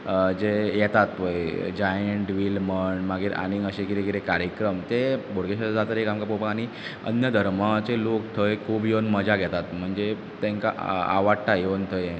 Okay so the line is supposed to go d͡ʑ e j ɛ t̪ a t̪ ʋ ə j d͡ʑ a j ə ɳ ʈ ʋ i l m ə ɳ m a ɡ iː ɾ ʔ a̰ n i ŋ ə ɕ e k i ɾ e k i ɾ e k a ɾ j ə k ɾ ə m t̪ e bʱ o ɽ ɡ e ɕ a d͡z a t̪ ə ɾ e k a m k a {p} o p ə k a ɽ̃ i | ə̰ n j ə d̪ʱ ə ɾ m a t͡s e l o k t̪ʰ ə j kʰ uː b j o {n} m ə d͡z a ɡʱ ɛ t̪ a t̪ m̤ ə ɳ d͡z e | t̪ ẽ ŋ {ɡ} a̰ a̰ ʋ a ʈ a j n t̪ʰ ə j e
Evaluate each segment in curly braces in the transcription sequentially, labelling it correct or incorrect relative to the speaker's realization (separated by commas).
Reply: correct, correct, incorrect